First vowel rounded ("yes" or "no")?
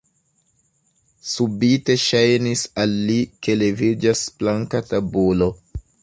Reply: yes